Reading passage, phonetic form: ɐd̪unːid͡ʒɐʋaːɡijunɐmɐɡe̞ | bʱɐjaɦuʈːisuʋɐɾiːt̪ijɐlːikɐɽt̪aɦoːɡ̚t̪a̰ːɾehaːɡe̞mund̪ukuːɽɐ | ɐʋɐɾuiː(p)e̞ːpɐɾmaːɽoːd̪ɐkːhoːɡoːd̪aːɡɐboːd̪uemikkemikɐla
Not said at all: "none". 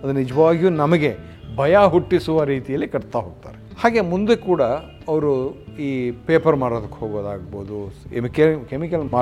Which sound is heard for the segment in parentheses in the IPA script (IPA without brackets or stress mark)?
p